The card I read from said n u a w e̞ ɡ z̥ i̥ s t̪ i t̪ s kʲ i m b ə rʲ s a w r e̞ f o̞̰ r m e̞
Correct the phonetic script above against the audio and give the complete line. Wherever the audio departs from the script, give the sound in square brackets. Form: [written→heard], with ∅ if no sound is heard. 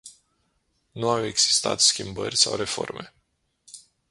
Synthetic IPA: n u a w e̞ ɡ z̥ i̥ s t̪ [i→a] t̪ s kʲ i m b ə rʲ s a w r e̞ f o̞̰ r m e̞